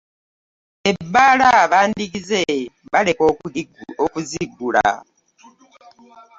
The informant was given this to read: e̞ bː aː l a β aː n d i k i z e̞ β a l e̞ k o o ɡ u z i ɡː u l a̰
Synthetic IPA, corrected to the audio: e̞ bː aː l a β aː n d i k i z e̞ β a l e̞ k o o k u z i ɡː u l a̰